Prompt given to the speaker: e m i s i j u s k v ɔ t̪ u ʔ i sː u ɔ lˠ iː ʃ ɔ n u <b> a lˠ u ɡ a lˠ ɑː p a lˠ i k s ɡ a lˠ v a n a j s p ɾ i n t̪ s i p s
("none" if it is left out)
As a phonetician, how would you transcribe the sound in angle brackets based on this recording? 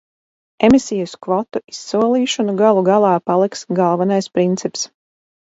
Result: ɡ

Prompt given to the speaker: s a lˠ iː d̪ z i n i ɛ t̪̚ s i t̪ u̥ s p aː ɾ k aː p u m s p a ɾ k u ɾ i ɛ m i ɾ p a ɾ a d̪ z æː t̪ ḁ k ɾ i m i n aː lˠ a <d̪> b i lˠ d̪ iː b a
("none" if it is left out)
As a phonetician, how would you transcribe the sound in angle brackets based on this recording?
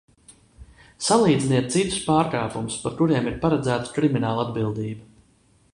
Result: d̪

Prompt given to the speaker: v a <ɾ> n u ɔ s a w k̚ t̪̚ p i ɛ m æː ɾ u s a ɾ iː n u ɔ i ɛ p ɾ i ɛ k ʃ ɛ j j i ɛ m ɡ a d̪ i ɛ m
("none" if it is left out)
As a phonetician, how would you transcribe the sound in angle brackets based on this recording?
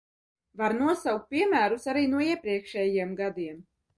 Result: ɾ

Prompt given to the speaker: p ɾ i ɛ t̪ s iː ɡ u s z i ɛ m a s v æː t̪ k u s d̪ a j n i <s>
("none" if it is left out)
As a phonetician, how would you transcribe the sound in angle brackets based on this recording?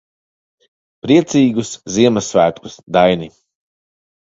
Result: none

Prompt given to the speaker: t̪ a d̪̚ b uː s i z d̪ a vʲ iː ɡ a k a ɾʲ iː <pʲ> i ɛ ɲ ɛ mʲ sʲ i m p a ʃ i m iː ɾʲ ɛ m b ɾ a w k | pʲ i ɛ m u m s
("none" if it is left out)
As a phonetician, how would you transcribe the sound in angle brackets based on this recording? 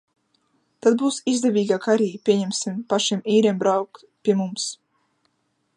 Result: pʲ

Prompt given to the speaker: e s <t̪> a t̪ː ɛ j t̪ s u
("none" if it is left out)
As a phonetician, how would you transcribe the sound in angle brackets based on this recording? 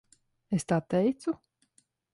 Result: t̪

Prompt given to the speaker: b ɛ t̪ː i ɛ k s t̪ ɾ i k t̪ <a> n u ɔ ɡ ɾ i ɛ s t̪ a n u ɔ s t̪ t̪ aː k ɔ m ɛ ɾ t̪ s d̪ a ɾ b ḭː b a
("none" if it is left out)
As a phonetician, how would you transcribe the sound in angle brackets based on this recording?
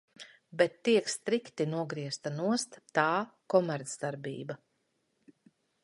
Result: i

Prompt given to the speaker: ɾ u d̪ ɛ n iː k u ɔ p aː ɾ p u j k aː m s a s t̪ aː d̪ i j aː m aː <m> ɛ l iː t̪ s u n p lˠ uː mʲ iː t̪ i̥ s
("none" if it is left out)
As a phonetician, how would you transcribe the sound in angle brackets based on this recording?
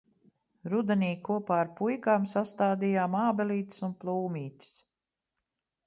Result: b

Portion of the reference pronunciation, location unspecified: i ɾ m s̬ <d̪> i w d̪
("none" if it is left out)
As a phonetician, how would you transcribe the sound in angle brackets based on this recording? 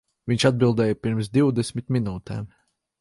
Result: d̪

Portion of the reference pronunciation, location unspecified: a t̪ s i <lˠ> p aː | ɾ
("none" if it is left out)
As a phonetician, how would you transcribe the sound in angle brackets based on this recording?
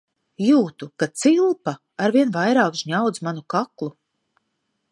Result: lˠ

